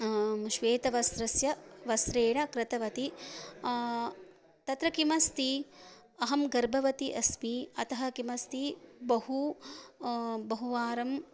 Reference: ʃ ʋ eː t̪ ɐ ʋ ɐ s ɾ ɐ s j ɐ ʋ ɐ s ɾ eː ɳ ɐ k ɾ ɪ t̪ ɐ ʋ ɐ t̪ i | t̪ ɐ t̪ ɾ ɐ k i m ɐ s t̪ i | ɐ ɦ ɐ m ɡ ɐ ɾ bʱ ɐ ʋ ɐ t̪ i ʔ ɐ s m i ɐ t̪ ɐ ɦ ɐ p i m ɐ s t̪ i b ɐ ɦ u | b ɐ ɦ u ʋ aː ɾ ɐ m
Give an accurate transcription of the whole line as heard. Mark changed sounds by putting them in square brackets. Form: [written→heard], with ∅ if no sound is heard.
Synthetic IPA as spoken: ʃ ʋ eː t̪ ɐ ʋ ɐ s ɾ ɐ s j ɐ ʋ ɐ s ɾ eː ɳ ɐ k ɾ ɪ t̪ ɐ ʋ ɐ t̪ i | t̪ ɐ t̪ ɾ ɐ k i m ɐ s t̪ i | ɐ ɦ ɐ m ɡ ɐ ɾ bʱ ɐ ʋ ɐ t̪ i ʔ ɐ s m i ɐ t̪ ɐ ɦ ɐ [p→k] i m ɐ s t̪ i b ɐ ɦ u | b ɐ ɦ u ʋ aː ɾ ɐ m